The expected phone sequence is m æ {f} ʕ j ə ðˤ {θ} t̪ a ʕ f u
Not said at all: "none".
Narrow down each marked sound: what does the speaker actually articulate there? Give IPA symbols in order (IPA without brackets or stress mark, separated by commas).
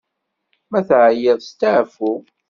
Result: θ, s